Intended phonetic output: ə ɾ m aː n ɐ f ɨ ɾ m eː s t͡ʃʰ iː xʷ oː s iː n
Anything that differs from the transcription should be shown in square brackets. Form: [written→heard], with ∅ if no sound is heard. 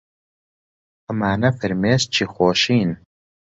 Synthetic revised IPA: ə [ɾ→∅] m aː n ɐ f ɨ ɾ m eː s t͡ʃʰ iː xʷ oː [s→ʃ] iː n